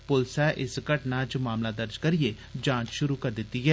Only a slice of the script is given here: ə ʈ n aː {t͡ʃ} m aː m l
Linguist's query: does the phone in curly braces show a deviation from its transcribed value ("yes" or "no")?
no